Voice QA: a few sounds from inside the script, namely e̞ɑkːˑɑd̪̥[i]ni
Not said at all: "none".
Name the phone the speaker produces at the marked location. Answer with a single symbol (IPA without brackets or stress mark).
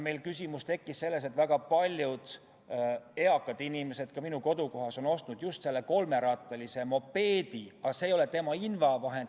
i